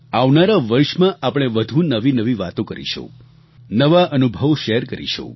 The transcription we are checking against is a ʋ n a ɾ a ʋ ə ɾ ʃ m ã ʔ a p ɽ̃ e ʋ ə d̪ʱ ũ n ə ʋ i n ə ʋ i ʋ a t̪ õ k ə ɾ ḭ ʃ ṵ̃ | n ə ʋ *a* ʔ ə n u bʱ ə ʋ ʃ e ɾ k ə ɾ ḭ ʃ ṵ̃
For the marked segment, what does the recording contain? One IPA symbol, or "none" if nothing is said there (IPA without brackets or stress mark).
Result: a